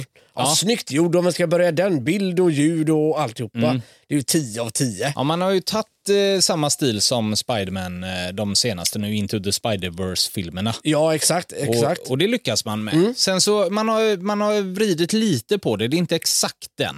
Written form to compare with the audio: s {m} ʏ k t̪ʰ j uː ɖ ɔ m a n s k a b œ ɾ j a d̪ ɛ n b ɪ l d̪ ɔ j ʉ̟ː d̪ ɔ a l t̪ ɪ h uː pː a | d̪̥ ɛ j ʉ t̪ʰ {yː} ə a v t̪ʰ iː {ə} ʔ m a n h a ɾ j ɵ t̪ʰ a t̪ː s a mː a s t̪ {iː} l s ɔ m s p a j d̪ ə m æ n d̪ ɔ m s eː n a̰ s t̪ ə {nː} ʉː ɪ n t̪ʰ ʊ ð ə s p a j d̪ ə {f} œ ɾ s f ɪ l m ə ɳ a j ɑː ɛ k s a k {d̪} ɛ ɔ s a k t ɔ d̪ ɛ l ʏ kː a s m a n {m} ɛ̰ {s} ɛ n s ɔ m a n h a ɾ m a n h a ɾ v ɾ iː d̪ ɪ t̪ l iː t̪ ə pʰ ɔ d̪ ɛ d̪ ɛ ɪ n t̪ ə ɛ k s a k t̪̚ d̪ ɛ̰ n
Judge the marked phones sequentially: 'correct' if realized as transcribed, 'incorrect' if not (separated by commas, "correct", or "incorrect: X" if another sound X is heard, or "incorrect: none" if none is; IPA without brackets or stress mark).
incorrect: n, incorrect: iː, correct, correct, incorrect: n, incorrect: v, incorrect: t̪, correct, correct